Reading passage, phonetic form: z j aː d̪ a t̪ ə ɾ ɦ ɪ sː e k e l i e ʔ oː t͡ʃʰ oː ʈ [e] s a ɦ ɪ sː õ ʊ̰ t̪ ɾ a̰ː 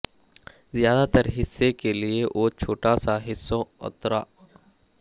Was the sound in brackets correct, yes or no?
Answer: no